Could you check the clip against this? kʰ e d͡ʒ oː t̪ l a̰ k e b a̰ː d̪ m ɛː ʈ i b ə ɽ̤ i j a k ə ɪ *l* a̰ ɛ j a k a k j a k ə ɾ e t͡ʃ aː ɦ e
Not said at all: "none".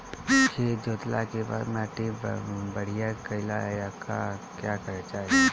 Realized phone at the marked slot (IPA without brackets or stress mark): l